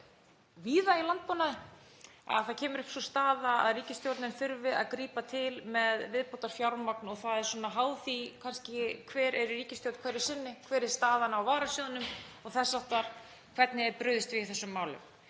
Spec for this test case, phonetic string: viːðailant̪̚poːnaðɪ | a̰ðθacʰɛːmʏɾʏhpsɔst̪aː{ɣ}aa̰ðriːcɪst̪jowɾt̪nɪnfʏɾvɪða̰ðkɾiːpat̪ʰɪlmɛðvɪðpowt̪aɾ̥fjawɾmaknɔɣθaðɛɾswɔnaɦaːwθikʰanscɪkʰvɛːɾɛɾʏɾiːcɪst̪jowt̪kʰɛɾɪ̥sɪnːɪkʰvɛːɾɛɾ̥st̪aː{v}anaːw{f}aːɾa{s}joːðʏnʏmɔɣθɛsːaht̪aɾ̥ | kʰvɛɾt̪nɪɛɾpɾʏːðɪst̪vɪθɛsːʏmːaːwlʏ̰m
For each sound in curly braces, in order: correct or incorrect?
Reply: incorrect: ð, incorrect: ð, incorrect: v, correct

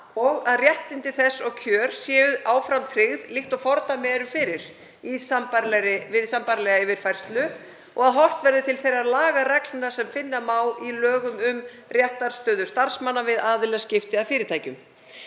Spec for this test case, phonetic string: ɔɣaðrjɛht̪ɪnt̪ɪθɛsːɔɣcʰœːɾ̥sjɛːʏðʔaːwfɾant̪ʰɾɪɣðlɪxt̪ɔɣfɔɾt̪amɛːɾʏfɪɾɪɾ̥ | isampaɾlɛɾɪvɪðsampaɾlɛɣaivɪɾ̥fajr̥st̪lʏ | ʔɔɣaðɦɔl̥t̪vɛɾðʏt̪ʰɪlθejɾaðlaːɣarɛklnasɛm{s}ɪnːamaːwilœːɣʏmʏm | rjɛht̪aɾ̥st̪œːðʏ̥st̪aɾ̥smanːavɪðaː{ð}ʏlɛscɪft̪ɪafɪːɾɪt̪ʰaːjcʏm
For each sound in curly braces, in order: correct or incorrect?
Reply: incorrect: f, correct

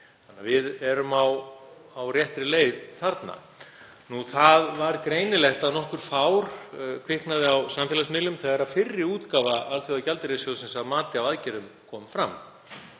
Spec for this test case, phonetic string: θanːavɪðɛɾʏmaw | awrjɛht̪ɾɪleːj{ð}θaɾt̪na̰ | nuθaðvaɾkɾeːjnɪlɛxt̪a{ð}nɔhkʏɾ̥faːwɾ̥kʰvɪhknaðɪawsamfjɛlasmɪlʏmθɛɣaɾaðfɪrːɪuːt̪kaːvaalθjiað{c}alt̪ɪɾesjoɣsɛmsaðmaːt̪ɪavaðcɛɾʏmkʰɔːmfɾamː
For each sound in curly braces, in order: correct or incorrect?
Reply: correct, correct, correct

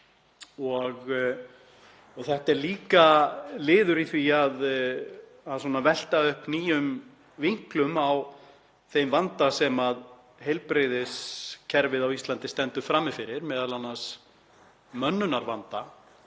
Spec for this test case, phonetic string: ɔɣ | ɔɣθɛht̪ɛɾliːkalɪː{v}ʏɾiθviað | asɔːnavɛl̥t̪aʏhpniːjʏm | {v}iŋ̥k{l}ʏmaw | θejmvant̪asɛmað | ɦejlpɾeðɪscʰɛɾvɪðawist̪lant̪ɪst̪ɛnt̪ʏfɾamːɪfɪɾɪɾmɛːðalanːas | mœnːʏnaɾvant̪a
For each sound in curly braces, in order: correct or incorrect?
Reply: incorrect: ð, correct, correct

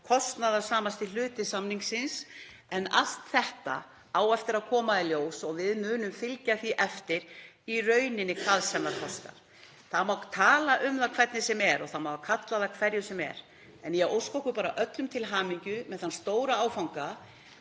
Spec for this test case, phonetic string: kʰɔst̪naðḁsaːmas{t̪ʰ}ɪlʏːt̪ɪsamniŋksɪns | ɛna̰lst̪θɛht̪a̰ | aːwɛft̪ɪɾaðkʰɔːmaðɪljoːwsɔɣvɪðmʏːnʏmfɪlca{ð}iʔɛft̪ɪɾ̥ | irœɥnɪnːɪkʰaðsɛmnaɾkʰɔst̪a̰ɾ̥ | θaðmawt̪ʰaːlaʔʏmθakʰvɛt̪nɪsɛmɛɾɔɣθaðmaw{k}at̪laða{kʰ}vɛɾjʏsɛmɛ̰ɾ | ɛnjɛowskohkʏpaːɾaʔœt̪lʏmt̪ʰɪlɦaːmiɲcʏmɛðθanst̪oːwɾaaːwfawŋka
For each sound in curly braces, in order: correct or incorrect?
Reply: incorrect: t̪, incorrect: θ, incorrect: kʰ, correct

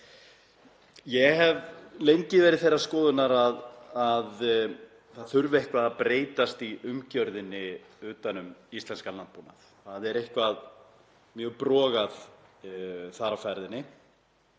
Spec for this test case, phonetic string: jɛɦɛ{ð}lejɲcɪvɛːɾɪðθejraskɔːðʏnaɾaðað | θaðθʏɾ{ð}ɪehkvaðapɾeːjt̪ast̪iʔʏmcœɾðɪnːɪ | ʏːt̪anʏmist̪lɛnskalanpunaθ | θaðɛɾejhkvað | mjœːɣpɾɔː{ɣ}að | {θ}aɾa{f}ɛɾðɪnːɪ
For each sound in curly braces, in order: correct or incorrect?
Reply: incorrect: v, incorrect: v, correct, correct, correct

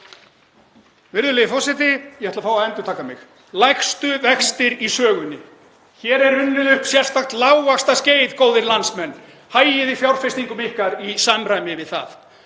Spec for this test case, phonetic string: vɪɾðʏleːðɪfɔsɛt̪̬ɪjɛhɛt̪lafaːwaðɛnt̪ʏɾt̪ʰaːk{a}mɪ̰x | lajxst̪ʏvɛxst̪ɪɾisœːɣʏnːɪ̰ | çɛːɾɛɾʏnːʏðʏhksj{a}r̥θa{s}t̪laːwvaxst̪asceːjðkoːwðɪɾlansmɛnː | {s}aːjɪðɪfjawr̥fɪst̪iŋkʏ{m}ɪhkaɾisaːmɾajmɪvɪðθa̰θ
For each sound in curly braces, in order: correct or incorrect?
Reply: correct, incorrect: ɛ, incorrect: x, incorrect: h, correct

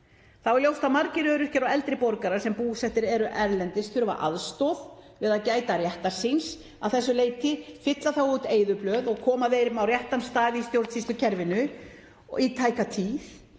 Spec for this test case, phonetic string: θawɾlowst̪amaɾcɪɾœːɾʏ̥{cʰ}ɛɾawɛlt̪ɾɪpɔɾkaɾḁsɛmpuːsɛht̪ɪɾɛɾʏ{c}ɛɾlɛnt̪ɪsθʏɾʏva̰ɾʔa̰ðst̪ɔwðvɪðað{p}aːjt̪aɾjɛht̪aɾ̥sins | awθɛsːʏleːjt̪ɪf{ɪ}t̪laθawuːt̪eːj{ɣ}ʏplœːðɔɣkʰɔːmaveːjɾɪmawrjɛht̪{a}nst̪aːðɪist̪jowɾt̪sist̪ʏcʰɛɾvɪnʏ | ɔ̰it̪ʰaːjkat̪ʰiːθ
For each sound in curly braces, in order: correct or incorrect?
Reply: incorrect: c, incorrect: ʔ, incorrect: c, correct, incorrect: ð, correct

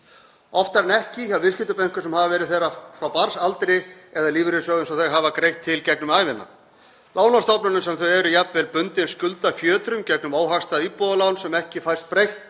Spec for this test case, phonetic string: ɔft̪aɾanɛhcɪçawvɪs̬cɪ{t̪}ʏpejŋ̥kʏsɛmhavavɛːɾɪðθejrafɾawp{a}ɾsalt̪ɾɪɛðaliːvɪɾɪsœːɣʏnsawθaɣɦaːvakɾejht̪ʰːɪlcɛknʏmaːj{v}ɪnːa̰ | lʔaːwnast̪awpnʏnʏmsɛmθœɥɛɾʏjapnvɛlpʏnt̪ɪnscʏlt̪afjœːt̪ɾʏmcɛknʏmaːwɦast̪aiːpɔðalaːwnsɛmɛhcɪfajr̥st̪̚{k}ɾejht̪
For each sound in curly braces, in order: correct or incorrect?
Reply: correct, correct, correct, incorrect: p

